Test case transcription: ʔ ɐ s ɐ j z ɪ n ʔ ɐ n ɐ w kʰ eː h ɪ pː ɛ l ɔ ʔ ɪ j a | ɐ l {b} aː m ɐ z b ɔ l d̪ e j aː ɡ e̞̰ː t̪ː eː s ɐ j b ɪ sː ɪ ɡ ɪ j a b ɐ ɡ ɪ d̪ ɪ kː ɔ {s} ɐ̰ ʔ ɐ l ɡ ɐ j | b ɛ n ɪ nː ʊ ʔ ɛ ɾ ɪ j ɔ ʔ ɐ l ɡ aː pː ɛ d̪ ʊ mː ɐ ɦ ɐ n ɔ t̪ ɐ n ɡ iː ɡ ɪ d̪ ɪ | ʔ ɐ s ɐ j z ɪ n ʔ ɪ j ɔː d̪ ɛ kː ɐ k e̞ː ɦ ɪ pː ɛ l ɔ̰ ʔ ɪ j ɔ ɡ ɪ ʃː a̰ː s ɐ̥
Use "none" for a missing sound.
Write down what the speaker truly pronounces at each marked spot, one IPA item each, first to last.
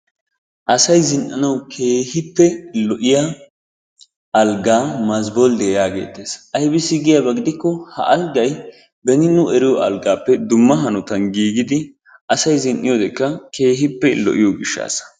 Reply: ɡ, h

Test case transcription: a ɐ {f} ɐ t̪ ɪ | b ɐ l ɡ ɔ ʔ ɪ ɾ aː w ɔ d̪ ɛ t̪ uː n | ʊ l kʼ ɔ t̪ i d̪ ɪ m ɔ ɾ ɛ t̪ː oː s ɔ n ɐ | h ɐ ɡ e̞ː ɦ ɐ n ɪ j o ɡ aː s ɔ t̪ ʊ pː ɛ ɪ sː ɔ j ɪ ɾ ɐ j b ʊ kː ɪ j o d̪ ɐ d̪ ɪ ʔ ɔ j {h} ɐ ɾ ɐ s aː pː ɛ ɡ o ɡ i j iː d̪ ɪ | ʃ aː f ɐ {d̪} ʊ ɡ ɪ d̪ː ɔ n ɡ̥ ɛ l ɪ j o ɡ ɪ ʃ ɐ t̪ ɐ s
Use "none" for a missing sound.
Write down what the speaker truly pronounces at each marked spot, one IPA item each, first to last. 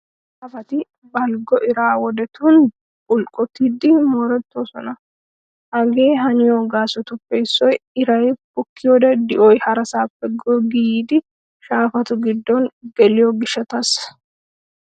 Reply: f, h, t̪

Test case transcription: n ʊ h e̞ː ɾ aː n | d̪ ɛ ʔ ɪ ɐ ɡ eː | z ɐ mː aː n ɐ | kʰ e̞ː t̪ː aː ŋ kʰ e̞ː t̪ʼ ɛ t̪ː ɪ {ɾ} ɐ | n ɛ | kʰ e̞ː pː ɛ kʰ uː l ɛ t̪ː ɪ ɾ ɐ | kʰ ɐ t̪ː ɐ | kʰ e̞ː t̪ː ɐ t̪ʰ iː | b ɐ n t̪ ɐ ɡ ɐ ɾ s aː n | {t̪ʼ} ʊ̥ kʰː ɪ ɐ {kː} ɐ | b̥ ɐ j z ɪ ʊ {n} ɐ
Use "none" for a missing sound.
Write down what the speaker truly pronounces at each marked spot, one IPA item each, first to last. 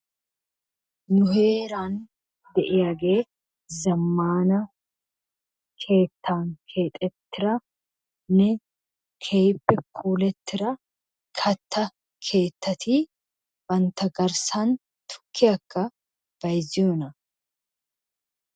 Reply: ɾ, t̪, kː, n

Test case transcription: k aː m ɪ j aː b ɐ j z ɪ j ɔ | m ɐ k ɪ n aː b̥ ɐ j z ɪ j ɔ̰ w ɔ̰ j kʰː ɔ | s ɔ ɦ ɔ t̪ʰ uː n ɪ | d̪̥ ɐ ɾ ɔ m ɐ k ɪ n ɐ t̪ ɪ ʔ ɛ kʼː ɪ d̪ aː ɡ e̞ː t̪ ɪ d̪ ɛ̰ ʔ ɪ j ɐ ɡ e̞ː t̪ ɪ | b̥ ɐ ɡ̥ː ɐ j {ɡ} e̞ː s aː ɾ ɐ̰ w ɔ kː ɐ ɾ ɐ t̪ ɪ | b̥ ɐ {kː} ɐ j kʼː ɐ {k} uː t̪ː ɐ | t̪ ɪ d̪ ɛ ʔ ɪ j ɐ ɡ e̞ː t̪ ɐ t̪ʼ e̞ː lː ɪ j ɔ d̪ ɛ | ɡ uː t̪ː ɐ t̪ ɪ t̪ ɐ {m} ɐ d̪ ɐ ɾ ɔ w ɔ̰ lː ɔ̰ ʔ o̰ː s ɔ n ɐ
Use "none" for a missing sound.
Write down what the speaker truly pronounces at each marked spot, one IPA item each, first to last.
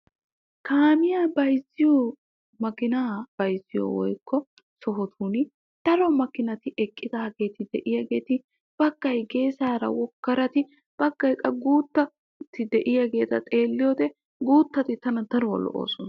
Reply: ɡ, ɡː, ɡ, n

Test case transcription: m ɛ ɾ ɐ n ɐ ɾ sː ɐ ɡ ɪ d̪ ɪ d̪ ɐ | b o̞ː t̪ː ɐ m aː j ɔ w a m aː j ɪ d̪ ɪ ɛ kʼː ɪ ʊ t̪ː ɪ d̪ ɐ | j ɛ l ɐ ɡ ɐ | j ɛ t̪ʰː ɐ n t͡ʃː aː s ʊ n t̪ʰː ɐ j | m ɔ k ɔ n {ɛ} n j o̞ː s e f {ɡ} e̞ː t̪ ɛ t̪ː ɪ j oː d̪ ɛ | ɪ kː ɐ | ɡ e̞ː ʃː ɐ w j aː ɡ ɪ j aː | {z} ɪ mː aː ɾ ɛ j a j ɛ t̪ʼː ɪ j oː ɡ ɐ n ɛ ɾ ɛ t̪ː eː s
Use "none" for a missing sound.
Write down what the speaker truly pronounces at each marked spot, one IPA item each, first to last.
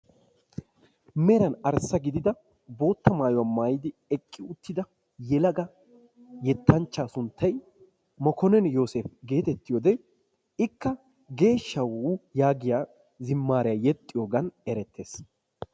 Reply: ɛ, ɡ, z

